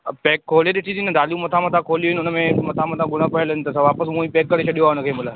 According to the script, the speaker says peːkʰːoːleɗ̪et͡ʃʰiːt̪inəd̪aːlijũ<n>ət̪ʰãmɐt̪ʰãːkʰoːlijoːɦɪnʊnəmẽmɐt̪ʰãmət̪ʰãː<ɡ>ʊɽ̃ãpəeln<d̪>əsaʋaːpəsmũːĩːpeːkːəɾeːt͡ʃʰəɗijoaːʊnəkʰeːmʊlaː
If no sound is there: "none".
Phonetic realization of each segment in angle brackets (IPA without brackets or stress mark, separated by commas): m, ɡ, t̪